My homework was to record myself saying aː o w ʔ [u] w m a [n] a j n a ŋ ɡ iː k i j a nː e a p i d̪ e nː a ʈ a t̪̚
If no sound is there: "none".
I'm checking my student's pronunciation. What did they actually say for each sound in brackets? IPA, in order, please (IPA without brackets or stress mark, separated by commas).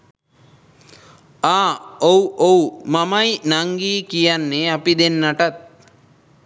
o, m